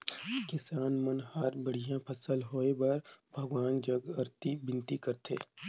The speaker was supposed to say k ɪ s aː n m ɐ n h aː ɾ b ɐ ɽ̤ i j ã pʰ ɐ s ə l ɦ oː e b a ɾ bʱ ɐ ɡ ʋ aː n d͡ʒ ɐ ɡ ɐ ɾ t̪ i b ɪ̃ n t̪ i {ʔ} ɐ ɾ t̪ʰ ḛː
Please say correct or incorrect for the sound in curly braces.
incorrect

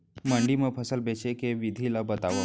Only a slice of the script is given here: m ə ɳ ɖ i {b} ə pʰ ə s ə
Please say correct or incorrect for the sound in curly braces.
incorrect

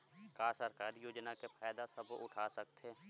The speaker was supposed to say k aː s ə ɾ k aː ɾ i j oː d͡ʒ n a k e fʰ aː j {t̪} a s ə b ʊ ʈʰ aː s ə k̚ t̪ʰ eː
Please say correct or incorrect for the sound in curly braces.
incorrect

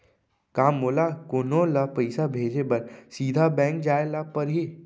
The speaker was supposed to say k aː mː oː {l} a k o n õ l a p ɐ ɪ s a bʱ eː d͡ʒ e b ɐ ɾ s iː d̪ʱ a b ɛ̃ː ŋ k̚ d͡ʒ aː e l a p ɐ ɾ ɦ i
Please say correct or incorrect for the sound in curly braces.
correct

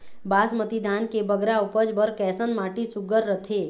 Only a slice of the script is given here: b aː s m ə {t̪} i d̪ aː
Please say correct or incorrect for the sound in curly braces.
correct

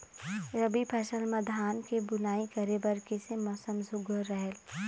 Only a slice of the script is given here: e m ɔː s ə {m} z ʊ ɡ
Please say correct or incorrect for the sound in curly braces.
correct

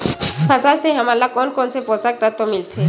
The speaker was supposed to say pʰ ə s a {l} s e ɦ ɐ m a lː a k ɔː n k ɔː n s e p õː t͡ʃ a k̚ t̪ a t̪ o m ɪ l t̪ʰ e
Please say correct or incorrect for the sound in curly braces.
correct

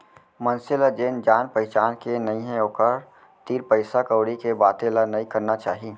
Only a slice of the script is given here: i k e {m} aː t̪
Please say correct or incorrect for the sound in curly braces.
incorrect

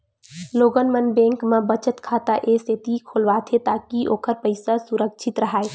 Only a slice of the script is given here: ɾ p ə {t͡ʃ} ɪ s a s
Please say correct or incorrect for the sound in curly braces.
incorrect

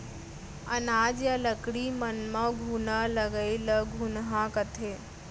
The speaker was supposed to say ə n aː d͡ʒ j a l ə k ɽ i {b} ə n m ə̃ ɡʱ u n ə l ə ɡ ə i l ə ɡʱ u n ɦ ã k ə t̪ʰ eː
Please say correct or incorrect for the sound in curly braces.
incorrect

